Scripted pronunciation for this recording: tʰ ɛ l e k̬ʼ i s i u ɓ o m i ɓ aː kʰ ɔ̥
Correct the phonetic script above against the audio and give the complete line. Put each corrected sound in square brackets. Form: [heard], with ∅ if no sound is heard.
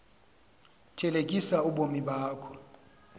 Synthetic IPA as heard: tʰ ɛ l e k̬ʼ i s [a] u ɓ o m i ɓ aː kʰ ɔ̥